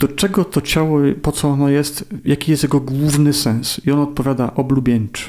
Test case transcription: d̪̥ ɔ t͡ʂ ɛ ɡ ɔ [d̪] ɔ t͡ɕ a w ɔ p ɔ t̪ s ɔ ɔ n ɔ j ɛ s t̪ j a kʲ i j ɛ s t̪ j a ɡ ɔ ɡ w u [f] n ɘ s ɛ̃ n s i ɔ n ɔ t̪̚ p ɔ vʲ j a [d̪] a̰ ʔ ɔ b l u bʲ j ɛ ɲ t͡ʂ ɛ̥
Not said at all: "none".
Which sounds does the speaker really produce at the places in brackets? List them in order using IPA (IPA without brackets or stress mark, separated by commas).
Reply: t̪, v, d̪